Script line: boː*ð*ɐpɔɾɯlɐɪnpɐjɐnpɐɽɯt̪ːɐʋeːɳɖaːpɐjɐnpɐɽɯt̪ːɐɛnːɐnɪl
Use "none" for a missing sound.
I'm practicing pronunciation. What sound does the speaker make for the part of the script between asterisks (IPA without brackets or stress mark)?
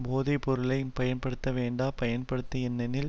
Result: ð